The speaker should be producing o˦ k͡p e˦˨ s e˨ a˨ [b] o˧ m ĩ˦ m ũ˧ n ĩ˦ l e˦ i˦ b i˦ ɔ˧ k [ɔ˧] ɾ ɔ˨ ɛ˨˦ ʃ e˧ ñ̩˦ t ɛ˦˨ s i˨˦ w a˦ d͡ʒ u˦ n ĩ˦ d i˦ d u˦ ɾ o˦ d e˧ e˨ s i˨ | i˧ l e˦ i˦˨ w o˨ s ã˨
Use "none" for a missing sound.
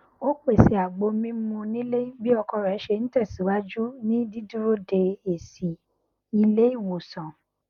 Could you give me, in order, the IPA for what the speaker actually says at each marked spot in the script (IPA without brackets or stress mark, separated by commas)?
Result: ɡ͡b, ɔ˧